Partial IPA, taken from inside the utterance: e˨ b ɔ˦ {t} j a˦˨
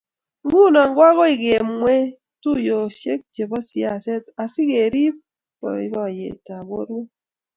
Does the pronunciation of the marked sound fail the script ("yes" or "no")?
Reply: yes